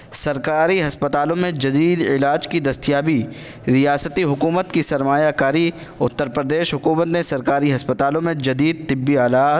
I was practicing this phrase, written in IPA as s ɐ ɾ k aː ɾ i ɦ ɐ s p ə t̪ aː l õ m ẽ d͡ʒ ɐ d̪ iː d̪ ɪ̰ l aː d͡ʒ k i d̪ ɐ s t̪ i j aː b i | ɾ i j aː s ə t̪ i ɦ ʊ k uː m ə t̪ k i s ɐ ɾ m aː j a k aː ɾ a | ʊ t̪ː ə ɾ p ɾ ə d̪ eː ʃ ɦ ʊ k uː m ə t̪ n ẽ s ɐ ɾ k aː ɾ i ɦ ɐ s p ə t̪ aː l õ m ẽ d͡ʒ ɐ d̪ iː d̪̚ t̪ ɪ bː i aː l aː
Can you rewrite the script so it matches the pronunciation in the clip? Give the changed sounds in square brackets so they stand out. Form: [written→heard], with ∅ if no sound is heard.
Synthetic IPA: s ɐ ɾ k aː ɾ i ɦ ɐ s p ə t̪ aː l õ m ẽ d͡ʒ ɐ d̪ iː d̪ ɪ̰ l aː d͡ʒ k i d̪ ɐ s t̪ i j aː b i | ɾ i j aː s ə t̪ i ɦ ʊ k uː m ə t̪ k i s ɐ ɾ m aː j a k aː ɾ [a→i] | ʊ t̪ː ə ɾ p ɾ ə d̪ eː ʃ ɦ ʊ k uː m ə t̪ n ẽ s ɐ ɾ k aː ɾ i ɦ ɐ s p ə t̪ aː l õ m ẽ d͡ʒ ɐ d̪ iː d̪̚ t̪ ɪ bː i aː l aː